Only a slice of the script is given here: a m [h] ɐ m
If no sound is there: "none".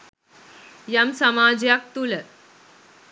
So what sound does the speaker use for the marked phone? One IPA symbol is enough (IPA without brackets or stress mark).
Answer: s